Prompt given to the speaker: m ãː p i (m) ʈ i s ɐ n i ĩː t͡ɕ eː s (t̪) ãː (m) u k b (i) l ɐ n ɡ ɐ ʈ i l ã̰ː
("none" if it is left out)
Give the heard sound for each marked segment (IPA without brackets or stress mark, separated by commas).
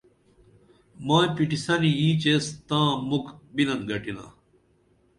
none, t̪, m, i